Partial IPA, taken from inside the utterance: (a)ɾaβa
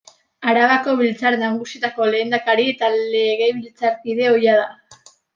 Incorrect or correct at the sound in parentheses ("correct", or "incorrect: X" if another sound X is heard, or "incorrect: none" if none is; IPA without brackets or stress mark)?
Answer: correct